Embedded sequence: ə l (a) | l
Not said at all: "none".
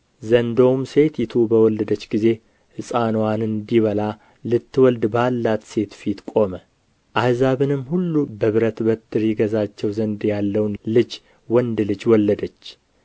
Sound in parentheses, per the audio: a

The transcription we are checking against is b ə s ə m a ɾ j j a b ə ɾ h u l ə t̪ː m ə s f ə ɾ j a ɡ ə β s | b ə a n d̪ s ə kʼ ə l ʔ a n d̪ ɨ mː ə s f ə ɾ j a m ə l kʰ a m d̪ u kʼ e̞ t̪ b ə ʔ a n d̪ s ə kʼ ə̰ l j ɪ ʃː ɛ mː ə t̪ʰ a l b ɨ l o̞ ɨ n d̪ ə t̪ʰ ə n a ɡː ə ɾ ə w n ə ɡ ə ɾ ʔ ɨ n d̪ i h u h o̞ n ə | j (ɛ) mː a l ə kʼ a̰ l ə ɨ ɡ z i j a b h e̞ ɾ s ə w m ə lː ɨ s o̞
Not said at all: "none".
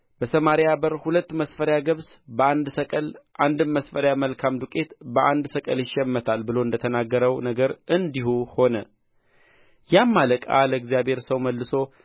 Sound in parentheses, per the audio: a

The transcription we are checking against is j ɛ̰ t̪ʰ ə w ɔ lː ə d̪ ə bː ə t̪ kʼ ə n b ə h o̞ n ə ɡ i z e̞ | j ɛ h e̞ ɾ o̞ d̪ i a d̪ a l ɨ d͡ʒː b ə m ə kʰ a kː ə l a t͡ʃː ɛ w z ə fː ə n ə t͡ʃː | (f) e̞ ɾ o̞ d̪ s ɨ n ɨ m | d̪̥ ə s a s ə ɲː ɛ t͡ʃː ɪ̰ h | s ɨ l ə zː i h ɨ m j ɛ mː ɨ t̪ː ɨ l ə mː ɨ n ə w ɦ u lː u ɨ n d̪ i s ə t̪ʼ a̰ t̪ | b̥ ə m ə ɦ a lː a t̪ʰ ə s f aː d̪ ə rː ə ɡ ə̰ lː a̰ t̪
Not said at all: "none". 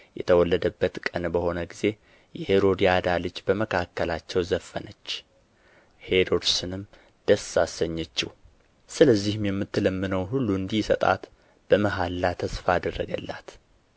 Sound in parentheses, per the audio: h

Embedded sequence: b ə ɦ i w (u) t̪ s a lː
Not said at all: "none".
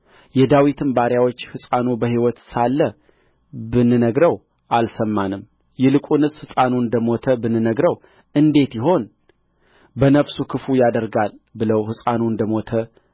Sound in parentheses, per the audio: ɔ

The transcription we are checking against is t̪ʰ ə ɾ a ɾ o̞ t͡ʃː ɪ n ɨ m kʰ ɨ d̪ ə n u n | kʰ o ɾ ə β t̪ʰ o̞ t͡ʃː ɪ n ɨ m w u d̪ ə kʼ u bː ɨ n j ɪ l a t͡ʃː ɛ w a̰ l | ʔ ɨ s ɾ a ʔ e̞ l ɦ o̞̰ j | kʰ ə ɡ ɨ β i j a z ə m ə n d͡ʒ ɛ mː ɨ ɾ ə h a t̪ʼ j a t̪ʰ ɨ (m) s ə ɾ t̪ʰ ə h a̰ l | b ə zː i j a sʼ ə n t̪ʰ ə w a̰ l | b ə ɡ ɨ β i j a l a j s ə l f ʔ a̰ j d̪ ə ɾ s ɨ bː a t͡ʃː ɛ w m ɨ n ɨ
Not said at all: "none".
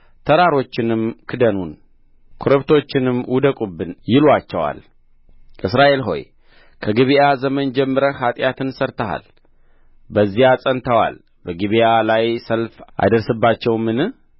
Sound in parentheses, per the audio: n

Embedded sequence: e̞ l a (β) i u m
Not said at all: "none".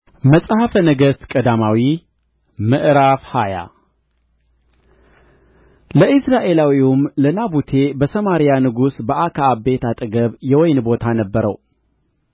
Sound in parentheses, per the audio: w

